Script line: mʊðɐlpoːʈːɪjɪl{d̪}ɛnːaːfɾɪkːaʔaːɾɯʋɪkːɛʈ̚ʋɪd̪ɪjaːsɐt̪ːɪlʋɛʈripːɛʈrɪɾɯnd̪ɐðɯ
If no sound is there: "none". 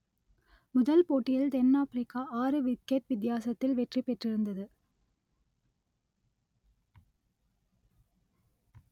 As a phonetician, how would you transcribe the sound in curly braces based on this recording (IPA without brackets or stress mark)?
d̪